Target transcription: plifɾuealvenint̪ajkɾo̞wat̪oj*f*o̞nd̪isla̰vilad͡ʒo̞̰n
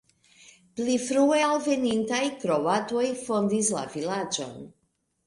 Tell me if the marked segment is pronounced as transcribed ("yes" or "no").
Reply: yes